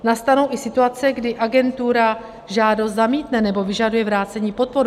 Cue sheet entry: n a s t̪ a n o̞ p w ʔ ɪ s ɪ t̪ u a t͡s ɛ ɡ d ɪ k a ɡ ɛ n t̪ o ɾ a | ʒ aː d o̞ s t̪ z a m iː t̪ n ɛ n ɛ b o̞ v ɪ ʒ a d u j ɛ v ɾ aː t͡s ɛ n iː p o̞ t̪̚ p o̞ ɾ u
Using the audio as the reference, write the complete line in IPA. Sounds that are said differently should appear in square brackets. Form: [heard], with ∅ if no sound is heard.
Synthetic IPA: n a s t̪ a n o̞ [∅] w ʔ ɪ s ɪ t̪ u a t͡s ɛ ɡ d ɪ [ʔ] a ɡ ɛ n t̪ [u] ɾ a | ʒ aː d o̞ s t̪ z a m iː t̪ n ɛ n ɛ b o̞ v ɪ ʒ a d u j ɛ v ɾ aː t͡s ɛ [ɲ] iː p o̞ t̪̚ p o̞ ɾ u